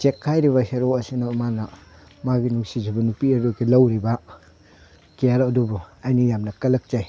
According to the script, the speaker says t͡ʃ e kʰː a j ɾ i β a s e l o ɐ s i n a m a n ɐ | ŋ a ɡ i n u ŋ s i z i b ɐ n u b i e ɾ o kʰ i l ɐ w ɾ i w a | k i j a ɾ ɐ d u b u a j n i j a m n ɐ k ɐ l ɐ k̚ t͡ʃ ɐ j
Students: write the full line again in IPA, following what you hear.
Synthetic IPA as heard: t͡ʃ e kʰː a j ɾ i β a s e ɾ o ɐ s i n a m a n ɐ | m a ɡ i n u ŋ s i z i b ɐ n u p i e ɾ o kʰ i l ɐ w ɾ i b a | k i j a ɾ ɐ d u b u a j n i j a m n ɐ k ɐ l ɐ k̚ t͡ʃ a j